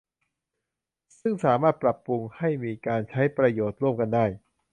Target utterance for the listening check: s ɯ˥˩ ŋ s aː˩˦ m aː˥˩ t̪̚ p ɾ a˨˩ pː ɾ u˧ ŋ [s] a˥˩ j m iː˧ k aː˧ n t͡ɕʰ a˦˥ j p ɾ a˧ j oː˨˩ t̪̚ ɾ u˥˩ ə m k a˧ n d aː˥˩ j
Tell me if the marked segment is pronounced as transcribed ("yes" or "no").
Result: no